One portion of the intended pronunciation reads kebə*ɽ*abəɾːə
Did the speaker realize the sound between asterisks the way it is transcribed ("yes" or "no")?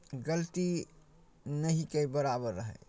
no